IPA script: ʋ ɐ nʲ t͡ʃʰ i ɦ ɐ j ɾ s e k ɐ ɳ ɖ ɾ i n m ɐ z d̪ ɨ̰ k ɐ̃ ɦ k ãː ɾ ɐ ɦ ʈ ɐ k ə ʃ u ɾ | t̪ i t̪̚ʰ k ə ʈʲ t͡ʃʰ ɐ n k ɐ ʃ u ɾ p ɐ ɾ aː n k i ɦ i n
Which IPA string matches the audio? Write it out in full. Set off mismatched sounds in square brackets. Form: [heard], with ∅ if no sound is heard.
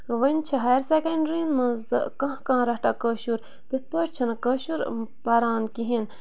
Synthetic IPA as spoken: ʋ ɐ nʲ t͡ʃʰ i ɦ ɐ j ɾ s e k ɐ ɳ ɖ ɾ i n m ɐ z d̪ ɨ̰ k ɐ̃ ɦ k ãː ɾ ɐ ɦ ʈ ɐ k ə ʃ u ɾ | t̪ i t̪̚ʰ [p] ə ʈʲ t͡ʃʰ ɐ n k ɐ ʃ u ɾ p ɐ ɾ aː n k i ɦ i n